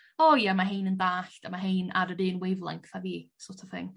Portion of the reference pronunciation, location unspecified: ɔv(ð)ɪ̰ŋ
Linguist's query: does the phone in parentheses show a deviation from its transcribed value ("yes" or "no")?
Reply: yes